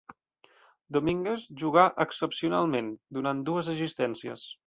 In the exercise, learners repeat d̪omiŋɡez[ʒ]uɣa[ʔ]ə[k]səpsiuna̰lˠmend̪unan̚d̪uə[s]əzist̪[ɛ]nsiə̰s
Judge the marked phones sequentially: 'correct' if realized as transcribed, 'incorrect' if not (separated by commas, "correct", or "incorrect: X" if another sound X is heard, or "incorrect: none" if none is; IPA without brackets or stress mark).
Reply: correct, correct, correct, incorrect: z, correct